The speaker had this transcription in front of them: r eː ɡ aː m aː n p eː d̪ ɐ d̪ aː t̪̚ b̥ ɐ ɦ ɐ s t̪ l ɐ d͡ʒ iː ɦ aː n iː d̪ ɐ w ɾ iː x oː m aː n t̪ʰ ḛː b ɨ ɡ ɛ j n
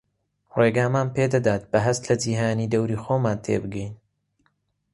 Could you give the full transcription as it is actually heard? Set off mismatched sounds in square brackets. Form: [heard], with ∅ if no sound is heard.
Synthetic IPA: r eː ɡ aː m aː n p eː d̪ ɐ d̪ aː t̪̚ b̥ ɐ ɦ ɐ s t̪ l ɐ d͡ʒ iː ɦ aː n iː d̪ ɐ w ɾ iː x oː m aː n t̪ʰ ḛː b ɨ ɡ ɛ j n